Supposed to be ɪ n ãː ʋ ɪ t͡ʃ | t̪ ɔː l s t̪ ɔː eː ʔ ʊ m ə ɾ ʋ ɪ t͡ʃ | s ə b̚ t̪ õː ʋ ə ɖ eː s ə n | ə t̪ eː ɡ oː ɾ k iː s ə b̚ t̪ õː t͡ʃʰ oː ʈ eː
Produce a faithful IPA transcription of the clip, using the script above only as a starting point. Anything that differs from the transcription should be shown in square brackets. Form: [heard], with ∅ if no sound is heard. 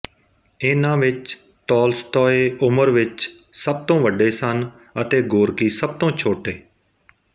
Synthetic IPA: ɪ n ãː ʋ ɪ t͡ʃ | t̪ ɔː l s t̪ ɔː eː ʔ ʊ m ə ɾ ʋ ɪ t͡ʃ | s ə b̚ t̪ õː ʋ ə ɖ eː s ə n | ə t̪ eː ɡ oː ɾ k iː s ə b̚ t̪ õː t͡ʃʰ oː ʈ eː